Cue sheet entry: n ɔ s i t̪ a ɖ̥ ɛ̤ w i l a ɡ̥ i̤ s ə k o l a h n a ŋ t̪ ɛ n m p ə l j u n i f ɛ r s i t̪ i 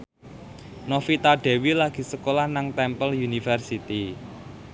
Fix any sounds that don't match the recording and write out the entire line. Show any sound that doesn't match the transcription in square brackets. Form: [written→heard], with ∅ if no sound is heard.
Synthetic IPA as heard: n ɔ [s→f] i t̪ a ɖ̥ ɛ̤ w i l a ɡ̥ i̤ s ə k o l a h n a ŋ t̪ ɛ [n→∅] m p ə l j u n i f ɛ r s i t̪ i